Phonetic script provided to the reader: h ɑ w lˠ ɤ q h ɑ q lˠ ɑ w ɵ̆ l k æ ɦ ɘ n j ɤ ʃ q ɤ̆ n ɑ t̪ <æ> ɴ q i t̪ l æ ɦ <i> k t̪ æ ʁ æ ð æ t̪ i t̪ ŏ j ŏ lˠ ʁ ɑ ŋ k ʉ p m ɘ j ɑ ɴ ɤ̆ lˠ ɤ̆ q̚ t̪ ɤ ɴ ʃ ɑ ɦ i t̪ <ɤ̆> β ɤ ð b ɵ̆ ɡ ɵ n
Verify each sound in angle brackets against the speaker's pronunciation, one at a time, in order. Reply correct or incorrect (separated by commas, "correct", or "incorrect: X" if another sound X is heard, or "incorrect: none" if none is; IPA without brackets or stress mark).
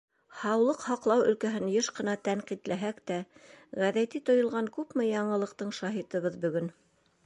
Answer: correct, incorrect: æ, correct